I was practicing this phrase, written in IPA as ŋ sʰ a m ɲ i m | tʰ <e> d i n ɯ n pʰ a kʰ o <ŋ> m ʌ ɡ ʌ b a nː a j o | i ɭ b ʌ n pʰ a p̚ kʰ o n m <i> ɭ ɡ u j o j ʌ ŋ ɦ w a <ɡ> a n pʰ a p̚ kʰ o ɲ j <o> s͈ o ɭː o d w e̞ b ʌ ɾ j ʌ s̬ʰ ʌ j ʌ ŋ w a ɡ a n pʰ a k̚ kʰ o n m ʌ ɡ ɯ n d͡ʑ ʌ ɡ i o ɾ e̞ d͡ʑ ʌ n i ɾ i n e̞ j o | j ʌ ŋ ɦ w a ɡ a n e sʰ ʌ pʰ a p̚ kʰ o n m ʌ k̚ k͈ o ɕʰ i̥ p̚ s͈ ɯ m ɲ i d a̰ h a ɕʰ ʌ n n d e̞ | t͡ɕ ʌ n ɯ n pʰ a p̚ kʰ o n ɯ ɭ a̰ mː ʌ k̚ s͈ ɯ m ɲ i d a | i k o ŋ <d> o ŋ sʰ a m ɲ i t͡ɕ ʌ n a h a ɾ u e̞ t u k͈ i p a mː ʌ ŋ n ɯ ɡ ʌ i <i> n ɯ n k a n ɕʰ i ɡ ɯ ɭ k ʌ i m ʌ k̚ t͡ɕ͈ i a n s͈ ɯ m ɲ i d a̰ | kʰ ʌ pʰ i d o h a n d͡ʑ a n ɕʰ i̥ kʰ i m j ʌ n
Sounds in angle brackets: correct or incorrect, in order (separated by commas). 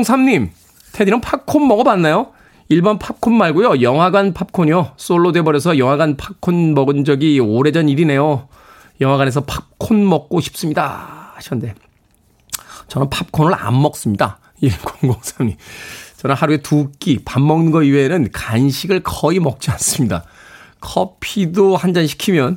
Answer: correct, incorrect, incorrect, correct, correct, incorrect, incorrect